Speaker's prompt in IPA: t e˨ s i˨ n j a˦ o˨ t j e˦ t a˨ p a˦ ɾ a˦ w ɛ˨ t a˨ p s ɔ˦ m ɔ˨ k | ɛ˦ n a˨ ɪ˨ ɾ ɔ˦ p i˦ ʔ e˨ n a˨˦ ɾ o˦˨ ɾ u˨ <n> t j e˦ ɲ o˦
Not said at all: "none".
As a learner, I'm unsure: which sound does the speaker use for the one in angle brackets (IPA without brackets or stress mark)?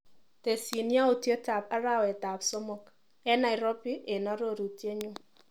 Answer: none